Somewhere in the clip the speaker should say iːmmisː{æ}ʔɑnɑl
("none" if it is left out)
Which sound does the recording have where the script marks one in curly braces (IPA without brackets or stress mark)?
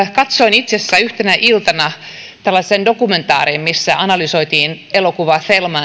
æ